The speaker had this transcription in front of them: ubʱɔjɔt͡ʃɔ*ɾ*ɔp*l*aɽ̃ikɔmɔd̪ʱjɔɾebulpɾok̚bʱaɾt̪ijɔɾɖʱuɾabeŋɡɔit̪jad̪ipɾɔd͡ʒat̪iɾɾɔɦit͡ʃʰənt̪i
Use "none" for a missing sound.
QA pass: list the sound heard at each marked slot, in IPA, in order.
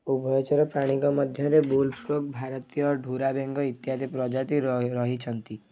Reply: ɾ, ɾ

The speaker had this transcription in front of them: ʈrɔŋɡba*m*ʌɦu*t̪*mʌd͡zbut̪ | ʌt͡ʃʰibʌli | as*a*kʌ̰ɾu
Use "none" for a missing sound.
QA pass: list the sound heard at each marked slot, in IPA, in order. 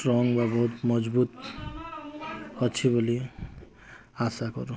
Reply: b, t̪, a

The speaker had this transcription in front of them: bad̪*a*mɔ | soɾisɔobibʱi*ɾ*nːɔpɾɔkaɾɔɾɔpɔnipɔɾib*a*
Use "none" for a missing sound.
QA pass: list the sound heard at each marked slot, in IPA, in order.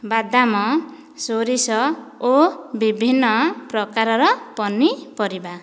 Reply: a, none, a

